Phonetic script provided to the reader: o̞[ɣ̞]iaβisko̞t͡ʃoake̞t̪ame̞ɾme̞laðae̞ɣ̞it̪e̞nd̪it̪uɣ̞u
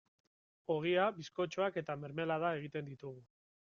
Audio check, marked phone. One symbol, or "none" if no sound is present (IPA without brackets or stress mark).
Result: ɣ̞